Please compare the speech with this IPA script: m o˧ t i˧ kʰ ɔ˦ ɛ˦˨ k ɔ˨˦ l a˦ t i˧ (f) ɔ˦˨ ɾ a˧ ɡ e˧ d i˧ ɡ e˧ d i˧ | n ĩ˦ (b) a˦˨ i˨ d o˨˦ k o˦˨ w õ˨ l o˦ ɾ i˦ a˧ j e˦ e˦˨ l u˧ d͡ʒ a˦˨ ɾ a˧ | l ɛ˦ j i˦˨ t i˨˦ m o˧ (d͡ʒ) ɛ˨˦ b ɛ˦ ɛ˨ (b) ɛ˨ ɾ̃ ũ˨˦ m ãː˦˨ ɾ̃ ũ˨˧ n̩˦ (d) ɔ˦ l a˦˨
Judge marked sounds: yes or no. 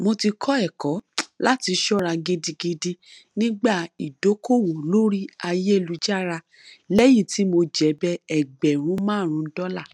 no, no, yes, no, yes

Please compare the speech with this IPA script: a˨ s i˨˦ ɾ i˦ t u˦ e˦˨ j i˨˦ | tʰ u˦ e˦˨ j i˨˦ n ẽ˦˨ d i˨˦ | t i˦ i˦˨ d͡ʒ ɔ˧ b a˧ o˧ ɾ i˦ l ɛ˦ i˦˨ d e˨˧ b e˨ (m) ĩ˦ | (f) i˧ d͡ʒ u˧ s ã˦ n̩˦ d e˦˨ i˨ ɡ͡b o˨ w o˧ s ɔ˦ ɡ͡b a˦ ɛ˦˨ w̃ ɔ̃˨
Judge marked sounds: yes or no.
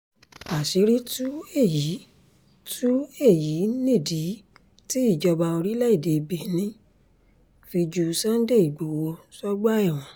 no, yes

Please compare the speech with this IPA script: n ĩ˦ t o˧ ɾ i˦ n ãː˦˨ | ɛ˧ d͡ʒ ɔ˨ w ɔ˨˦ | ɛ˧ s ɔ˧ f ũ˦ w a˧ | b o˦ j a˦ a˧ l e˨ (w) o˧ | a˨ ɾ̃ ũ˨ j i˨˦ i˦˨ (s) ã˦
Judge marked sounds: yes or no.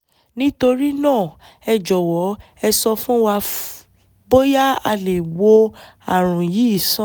yes, yes

